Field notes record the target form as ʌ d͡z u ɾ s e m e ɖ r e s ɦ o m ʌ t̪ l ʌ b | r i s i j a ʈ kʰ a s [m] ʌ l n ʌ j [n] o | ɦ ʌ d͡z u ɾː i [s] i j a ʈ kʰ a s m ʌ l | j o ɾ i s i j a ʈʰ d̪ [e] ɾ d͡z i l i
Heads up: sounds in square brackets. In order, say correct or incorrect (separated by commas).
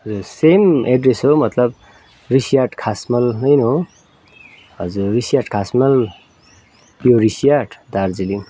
correct, correct, correct, incorrect